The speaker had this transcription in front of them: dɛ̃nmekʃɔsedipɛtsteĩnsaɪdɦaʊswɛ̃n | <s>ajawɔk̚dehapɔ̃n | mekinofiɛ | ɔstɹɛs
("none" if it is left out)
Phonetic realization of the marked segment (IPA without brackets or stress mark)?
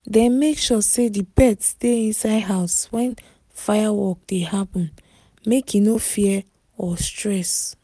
f